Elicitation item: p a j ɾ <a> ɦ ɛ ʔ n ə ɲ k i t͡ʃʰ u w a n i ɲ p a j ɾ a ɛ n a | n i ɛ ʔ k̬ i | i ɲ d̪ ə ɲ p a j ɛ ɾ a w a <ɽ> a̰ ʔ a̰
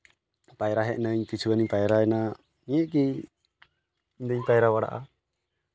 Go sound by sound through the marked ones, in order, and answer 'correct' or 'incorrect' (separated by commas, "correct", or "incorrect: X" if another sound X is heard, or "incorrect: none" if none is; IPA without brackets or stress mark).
correct, correct